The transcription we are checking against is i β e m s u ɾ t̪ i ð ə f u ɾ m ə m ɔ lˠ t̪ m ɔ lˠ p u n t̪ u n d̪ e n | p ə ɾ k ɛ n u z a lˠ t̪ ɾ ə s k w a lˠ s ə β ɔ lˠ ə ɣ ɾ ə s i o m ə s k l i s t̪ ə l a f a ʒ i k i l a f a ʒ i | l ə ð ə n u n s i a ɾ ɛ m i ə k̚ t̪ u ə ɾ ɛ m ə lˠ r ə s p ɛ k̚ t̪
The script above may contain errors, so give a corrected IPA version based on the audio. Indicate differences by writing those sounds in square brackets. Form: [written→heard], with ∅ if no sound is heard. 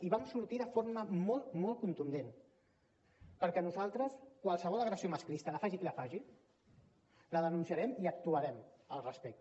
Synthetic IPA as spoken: i β [e→a] m s u ɾ t̪ i ð ə f [u→o] ɾ m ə m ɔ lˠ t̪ m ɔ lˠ [p→k] u n t̪ u n d̪ e n | p ə ɾ k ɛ n u z a lˠ t̪ ɾ ə s k w a lˠ s ə β ɔ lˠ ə ɣ ɾ ə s i o m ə s k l i s t̪ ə l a f a ʒ i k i l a f a ʒ i | l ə ð ə n u n s i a ɾ ɛ m i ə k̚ t̪ u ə ɾ ɛ m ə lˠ r ə s p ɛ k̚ t̪

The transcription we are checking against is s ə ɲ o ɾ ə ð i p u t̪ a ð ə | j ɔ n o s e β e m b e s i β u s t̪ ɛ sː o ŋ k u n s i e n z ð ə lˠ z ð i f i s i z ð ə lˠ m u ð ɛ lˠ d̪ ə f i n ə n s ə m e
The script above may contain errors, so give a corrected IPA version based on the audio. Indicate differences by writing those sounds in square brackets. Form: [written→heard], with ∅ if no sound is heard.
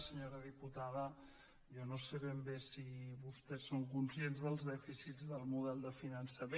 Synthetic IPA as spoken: s ə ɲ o ɾ ə ð i p u t̪ a ð ə | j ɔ n o s e β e m b e s i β u s t̪ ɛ sː o ŋ k u n s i e n z ð ə lˠ z ð [i→ɛ] f i s i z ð ə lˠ m u ð ɛ lˠ d̪ ə f i n ə n s ə m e

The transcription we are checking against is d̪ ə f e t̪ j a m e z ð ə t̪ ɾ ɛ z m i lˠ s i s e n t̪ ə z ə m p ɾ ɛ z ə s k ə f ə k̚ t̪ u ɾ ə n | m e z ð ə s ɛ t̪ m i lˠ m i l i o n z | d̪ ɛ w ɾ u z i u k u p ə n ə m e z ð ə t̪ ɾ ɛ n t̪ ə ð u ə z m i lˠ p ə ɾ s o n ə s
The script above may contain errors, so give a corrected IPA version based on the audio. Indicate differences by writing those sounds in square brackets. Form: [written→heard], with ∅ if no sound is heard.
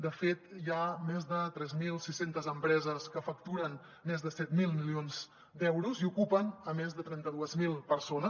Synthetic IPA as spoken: d̪ ə f e t̪ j a m e z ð ə t̪ ɾ ɛ z m i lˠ s i s e n t̪ ə z ə m p ɾ ɛ z ə s k ə f ə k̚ t̪ u ɾ ə n | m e z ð ə s ɛ t̪ m i lˠ m i l i o n z | d̪ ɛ w ɾ u z i u k u p ə n ə m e z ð ə t̪ ɾ ɛ n t̪ ə ð u ə z m i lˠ p ə ɾ s o n ə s

